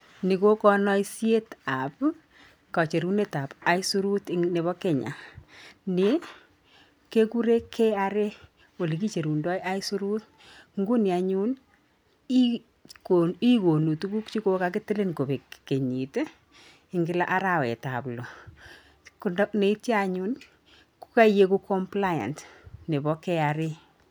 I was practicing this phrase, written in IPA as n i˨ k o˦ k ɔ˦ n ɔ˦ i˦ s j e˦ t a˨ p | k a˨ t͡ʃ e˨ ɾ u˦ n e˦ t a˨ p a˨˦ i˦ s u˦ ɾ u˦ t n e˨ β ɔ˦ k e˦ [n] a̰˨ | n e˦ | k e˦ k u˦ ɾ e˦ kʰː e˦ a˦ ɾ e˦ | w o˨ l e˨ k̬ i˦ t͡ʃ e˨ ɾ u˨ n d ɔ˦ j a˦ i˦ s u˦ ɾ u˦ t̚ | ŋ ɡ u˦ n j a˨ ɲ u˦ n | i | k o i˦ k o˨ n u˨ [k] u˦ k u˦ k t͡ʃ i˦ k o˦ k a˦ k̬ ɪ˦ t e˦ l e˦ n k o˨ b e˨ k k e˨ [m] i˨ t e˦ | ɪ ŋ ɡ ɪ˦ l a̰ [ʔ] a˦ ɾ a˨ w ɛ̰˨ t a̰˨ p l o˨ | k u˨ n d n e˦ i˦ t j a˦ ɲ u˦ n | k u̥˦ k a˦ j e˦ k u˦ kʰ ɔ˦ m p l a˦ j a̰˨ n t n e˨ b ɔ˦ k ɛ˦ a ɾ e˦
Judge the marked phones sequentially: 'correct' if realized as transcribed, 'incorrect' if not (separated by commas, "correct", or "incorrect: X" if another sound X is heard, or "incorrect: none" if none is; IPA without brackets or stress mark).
incorrect: ɲ, incorrect: t, incorrect: ɲ, correct